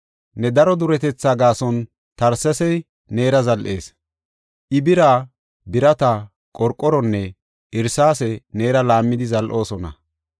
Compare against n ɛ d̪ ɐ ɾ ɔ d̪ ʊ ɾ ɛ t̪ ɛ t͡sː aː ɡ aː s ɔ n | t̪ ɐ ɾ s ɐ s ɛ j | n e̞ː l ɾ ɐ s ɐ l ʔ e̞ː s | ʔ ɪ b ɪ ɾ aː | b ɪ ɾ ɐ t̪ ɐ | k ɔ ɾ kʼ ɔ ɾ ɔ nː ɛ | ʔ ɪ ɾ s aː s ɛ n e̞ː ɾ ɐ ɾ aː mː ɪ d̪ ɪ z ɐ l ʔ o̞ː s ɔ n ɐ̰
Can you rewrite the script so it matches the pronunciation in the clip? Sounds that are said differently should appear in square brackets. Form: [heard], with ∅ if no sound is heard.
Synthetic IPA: n ɛ d̪ ɐ ɾ ɔ d̪ ʊ ɾ ɛ t̪ ɛ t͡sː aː ɡ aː s ɔ n | t̪ ɐ ɾ s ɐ s ɛ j | n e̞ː [∅] ɾ ɐ [z] ɐ l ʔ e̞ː s | ʔ ɪ b ɪ ɾ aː | b ɪ ɾ ɐ t̪ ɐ | [kʼ] ɔ ɾ kʼ ɔ ɾ ɔ nː ɛ | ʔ ɪ ɾ s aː s ɛ n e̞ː ɾ ɐ [l] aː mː ɪ d̪ ɪ z ɐ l ʔ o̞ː s ɔ n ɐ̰